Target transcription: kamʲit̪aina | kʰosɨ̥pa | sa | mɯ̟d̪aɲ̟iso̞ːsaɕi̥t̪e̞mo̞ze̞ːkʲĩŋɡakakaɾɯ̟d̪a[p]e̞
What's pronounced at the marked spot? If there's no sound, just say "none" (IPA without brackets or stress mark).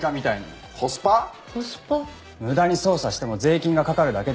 k